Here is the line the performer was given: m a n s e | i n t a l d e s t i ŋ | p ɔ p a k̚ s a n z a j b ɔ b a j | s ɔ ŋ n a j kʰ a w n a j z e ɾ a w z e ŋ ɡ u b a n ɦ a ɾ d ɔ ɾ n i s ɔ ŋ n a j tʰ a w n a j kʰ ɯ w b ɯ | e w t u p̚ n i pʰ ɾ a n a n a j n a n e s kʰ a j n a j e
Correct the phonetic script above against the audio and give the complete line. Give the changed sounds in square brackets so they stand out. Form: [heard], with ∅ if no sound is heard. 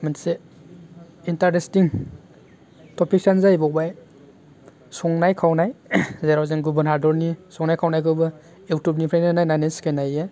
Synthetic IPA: m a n s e | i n t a [ɾ] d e s t i ŋ | [t] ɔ p [i] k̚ s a n z a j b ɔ b a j | s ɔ ŋ n a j kʰ a w n a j z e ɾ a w z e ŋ ɡ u b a n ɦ a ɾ d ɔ ɾ n i s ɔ ŋ n a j [kʰ] a w n a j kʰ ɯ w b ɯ | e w t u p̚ n i pʰ ɾ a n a n a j n a n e s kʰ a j n a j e